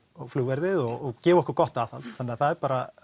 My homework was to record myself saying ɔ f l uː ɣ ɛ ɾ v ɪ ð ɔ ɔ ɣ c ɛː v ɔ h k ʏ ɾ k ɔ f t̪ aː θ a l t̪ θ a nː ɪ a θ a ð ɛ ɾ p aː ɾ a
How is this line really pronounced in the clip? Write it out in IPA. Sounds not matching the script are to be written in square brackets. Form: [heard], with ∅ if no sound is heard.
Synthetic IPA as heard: ɔ f l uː [v] ɛ ɾ [ð] ɪ ð ɔ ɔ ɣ c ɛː v ɔ h k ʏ ɾ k ɔ [h] t̪ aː θ a l t̪ θ a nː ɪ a θ a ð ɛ ɾ p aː ɾ a